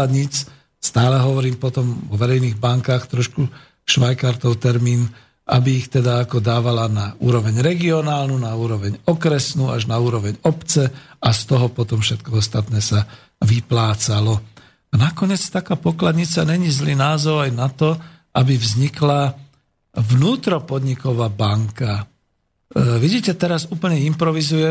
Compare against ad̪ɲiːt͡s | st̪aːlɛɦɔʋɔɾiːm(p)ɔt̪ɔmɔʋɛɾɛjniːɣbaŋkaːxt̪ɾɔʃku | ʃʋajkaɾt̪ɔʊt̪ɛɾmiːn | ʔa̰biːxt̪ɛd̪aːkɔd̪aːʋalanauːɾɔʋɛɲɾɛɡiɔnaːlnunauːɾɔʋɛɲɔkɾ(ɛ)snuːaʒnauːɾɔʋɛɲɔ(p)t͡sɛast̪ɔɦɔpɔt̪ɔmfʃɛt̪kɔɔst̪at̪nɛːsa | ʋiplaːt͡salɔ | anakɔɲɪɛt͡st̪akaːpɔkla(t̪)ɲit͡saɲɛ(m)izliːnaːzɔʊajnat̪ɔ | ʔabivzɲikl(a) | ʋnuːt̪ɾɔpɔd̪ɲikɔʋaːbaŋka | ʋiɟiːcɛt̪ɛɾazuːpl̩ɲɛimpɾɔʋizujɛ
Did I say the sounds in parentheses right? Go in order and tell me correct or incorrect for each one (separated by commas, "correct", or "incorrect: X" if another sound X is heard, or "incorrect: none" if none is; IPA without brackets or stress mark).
correct, correct, correct, incorrect: d̪, incorrect: ɲ, correct